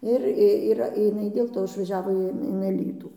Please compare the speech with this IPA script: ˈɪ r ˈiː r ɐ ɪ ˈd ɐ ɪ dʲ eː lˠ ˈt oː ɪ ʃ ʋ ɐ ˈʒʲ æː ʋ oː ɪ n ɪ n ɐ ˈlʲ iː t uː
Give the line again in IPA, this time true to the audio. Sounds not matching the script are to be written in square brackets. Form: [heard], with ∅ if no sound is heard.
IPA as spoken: ˈɪ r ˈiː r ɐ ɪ [ˈn] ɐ ɪ dʲ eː lˠ ˈt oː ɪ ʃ ʋ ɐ ˈʒʲ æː ʋ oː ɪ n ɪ n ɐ ˈlʲ iː t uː